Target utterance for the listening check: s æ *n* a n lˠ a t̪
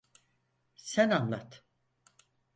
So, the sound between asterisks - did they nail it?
yes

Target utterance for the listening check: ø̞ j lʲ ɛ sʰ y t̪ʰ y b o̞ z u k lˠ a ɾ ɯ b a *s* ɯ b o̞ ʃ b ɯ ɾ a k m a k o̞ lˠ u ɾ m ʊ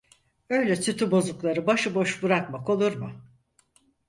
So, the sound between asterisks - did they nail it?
no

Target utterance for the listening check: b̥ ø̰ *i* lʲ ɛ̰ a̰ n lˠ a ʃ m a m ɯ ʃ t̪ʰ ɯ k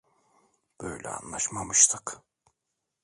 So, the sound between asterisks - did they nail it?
no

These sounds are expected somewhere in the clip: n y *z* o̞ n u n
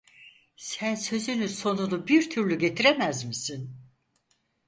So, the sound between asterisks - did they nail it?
no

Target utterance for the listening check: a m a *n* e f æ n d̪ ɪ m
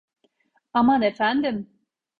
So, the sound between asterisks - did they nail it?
yes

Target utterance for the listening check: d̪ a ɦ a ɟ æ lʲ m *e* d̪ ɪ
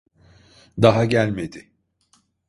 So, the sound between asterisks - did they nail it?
yes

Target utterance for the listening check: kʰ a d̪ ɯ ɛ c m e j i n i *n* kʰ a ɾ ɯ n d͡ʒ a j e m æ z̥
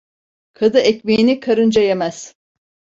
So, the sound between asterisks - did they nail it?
no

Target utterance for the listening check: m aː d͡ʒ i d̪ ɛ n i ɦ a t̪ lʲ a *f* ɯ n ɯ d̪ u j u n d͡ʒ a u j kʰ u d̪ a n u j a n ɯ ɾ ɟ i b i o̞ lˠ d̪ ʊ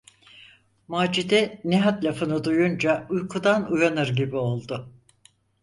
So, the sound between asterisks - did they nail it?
yes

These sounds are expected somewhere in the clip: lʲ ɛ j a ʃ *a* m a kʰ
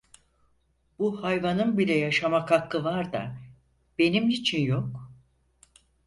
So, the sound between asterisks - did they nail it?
yes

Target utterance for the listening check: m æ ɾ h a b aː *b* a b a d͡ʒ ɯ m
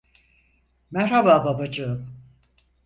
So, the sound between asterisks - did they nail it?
yes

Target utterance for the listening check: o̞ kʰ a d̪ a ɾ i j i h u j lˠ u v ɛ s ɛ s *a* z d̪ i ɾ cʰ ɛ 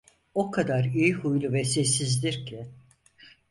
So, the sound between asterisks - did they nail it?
no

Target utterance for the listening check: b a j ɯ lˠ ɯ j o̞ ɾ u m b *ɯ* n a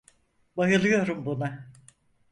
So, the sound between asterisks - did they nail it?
no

